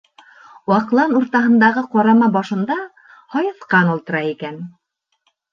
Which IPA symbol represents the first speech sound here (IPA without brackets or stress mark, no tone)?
w